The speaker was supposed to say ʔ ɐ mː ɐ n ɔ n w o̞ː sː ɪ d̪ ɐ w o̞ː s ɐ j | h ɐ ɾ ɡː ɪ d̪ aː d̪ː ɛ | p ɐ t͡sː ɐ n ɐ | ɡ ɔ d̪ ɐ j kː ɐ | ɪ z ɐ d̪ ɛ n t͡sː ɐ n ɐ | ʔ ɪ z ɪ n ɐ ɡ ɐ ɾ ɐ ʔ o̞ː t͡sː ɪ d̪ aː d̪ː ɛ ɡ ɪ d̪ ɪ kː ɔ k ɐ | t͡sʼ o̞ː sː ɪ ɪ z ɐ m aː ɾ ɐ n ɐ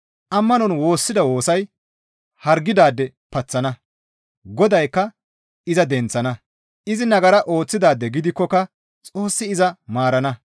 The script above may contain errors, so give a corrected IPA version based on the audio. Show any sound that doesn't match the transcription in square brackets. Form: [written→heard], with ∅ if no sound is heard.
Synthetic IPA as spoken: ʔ ɐ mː ɐ n ɔ n w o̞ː sː ɪ d̪ ɐ w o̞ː s ɐ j | h ɐ ɾ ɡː ɪ d̪ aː d̪ː ɛ | p ɐ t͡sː ɐ n ɐ | ɡ ɔ d̪ ɐ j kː ɐ | ɪ z ɐ d̪ ɛ n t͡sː ɐ n ɐ | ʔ ɪ z ɪ n ɐ ɡ ɐ ɾ ɐ ʔ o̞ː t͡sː ɪ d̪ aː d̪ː ɛ ɡ ɪ d̪ ɪ kː ɔ k ɐ | t͡sʼ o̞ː sː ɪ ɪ z ɐ m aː ɾ ɐ n ɐ